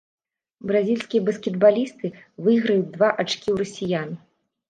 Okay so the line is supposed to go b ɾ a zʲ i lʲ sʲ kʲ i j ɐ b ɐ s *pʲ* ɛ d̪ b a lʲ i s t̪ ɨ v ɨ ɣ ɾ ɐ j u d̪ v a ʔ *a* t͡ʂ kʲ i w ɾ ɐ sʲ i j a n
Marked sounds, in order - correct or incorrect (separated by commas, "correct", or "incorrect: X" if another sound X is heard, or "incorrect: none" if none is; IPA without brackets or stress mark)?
incorrect: kʲ, correct